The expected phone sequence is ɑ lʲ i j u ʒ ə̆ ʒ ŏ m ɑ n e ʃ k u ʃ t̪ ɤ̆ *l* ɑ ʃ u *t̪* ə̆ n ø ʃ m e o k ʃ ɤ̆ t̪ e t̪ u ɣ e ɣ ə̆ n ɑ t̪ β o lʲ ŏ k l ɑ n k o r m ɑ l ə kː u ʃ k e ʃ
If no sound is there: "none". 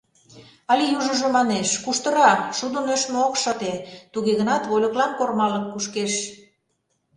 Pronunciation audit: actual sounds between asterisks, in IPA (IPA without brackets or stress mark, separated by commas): ɾ, d̪